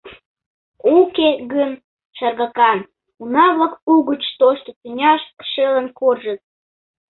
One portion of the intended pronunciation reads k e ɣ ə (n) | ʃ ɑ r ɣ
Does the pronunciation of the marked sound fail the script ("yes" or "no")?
no